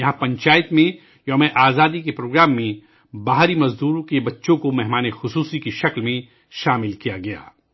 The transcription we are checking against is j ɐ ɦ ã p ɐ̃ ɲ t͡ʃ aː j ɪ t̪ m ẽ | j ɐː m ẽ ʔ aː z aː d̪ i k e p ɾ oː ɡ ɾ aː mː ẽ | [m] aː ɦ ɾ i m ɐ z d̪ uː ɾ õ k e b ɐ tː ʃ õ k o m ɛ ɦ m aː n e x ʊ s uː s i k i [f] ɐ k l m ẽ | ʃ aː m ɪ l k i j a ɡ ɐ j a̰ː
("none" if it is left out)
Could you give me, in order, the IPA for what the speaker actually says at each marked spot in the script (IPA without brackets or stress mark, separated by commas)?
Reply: b, ʃ